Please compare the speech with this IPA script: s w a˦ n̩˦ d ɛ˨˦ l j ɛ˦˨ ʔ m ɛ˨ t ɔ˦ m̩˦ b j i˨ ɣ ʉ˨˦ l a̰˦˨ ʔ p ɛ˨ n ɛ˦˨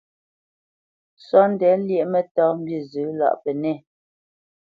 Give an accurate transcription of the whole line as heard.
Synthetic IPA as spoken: s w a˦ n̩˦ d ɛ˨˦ l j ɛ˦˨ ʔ m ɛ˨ t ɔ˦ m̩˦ b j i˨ z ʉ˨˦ l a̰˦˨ ʔ p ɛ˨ n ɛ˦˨